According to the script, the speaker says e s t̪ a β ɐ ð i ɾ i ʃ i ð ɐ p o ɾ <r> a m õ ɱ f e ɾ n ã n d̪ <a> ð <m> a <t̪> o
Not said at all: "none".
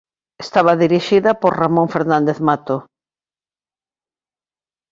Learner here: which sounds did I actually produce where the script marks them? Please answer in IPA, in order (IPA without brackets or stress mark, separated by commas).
r, e, m, t̪